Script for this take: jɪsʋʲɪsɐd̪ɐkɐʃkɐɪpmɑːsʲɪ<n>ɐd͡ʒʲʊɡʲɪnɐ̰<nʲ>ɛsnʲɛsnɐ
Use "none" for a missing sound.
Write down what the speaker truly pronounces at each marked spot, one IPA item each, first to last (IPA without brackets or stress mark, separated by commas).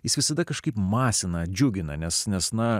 n, nʲ